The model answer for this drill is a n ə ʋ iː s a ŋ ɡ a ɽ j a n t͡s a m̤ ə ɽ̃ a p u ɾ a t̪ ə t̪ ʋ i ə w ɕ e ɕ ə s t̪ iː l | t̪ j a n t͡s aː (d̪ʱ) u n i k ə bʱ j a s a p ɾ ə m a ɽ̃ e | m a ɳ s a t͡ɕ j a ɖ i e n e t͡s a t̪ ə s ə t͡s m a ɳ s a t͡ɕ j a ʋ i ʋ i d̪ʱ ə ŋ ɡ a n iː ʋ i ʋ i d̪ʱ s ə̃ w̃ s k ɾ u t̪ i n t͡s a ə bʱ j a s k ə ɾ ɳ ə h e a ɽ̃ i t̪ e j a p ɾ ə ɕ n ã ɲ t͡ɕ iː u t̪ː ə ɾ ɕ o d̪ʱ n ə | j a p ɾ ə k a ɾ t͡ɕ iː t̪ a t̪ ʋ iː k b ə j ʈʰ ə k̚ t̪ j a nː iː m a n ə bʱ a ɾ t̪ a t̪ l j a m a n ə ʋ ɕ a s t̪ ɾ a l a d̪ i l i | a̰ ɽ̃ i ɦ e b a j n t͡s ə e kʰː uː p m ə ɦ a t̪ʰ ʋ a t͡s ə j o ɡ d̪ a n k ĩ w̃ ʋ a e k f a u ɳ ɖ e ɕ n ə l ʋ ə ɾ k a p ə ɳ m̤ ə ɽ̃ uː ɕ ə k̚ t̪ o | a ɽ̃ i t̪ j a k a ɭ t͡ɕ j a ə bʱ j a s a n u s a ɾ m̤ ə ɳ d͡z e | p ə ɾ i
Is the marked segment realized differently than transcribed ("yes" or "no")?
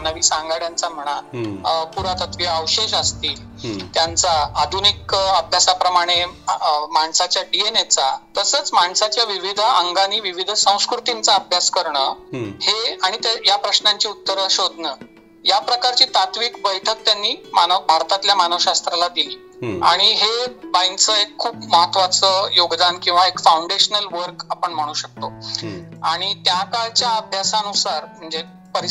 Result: no